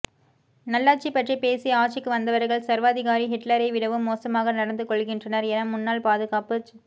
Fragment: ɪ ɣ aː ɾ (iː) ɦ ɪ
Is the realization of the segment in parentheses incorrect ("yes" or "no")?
yes